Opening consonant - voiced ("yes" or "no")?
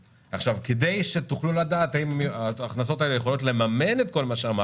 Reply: no